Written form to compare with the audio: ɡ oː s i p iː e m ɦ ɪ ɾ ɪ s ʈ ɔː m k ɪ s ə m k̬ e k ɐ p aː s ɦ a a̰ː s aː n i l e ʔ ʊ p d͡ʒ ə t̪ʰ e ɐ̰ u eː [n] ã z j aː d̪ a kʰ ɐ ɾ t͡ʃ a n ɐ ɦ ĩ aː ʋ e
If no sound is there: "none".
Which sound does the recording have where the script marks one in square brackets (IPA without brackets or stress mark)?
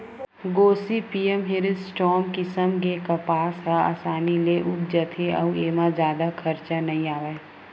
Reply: m